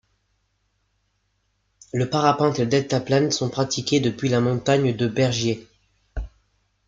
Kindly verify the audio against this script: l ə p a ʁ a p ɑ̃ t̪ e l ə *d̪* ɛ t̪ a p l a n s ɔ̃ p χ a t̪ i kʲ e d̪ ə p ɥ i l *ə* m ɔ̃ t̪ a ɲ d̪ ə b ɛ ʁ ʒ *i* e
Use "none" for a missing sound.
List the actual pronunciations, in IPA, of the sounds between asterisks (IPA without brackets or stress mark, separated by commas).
d̪, a, j